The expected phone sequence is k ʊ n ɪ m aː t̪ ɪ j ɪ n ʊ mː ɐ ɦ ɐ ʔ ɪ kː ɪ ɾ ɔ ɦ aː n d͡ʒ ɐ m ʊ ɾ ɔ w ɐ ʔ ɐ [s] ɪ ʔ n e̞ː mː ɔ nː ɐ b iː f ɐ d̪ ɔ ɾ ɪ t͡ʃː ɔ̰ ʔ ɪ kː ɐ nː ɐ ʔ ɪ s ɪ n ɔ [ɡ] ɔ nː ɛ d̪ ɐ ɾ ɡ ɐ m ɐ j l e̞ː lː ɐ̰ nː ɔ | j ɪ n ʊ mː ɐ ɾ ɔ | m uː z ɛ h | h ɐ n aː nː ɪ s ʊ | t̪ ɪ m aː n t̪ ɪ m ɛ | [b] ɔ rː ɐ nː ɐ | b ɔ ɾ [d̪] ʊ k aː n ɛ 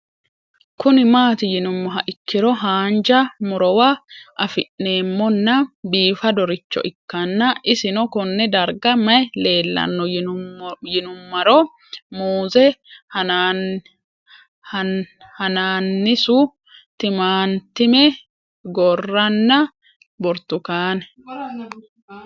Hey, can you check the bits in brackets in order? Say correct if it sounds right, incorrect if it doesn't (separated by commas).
incorrect, incorrect, incorrect, incorrect